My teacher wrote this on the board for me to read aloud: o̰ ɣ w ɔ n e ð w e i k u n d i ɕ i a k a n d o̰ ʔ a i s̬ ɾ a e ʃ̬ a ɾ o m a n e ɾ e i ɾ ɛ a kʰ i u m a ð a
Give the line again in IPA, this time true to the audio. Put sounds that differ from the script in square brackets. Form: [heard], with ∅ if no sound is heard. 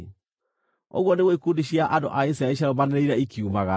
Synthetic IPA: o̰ ɣ w ɔ n e [ɣ] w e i k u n d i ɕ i a [ʔ] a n d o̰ ʔ a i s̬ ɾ a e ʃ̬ a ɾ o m a n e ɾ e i ɾ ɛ [i] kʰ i u m a [ɣ] a